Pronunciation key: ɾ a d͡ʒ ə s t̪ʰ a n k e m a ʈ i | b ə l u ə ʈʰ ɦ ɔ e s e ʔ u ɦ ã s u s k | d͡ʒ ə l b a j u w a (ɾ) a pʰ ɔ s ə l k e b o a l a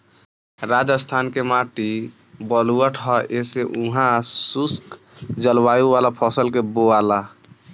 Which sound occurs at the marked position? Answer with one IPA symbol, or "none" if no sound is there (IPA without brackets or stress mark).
l